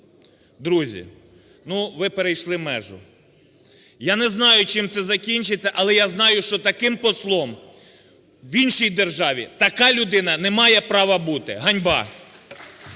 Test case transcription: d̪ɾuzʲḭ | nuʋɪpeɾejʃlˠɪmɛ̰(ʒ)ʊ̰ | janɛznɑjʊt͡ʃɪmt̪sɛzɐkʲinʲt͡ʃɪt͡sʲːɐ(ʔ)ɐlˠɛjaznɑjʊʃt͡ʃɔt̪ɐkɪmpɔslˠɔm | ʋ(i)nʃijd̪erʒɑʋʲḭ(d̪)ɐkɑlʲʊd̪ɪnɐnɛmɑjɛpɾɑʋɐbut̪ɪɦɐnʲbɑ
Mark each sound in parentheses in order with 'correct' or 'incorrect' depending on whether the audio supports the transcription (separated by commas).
correct, correct, correct, incorrect